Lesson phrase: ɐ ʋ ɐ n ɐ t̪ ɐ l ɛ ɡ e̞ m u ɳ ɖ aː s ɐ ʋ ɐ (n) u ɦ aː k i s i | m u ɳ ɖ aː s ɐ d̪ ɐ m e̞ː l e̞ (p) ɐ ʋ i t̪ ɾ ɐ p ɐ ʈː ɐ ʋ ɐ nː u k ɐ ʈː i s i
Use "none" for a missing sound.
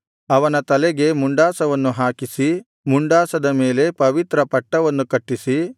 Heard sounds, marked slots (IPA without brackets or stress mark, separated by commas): nː, p